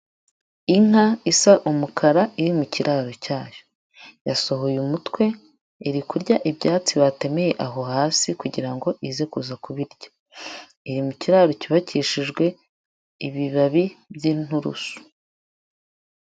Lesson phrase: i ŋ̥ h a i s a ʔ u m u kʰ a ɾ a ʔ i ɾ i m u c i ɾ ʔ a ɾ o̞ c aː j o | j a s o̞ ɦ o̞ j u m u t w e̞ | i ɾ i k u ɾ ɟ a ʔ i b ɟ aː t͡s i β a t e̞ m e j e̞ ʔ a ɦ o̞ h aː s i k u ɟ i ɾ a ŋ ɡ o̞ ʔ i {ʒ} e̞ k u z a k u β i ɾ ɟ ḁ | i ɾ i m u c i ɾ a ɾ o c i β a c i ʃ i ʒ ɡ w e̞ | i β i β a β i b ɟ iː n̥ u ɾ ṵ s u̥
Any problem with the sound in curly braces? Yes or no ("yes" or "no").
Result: yes